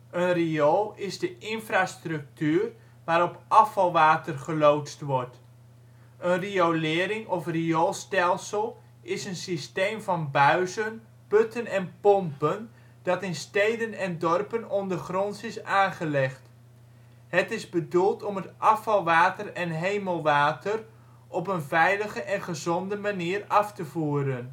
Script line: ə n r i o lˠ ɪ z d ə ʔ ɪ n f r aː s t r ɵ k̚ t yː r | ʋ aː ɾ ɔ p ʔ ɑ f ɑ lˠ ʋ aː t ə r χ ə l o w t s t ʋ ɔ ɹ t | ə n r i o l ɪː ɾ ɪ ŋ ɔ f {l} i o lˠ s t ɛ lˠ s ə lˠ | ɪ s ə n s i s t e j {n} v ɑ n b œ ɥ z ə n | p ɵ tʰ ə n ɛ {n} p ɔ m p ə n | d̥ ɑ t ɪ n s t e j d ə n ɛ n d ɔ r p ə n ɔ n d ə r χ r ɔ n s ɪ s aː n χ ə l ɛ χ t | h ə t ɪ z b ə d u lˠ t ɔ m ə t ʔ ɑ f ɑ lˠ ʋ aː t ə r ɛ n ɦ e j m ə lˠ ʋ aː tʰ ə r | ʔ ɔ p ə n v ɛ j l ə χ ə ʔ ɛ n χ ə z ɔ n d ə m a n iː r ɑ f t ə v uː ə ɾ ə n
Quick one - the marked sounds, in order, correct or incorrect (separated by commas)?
incorrect, incorrect, correct